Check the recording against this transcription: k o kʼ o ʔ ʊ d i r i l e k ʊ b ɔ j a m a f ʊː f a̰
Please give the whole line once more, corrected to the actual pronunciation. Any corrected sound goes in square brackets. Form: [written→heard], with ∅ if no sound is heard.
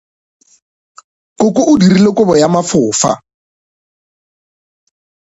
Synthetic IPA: k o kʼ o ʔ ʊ d i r i l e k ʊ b ɔ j a m a f ʊː f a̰